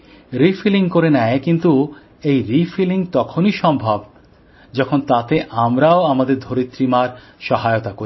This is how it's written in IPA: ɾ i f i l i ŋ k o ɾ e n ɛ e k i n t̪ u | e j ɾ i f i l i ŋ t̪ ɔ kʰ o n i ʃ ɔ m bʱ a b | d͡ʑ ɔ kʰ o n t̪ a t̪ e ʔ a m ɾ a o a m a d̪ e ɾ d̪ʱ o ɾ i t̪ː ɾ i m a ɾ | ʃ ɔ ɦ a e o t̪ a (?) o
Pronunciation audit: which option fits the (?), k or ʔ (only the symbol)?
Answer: k